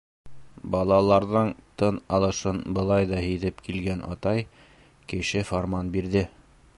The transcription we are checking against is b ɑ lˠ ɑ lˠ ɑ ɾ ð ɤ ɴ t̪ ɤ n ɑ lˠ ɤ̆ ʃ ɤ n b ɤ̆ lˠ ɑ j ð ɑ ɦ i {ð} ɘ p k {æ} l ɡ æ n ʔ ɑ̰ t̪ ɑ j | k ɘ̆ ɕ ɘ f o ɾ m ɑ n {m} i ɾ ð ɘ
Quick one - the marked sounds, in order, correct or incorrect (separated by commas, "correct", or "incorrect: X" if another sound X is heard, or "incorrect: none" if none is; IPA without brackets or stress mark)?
correct, incorrect: i, incorrect: b